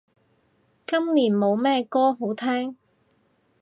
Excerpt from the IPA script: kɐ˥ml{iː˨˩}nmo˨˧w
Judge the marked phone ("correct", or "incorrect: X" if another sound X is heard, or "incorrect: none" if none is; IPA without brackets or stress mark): correct